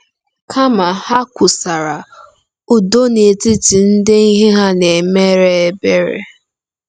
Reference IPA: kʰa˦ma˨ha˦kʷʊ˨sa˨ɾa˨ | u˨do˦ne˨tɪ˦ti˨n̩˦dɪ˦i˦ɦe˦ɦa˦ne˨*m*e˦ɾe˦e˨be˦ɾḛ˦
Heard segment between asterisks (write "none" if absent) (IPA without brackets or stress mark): m